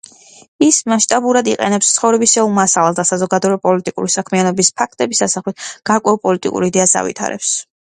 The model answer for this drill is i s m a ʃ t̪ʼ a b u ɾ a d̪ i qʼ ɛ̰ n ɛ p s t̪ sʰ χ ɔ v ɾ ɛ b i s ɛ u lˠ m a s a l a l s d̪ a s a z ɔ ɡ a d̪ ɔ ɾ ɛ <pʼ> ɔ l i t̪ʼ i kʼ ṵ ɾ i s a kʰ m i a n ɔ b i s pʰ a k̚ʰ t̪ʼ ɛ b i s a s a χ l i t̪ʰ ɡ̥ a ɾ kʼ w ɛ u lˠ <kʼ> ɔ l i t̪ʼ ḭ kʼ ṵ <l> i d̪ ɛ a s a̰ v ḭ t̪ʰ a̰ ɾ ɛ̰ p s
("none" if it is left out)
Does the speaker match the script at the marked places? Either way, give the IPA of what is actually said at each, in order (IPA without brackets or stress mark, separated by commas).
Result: pʼ, pʼ, ɾ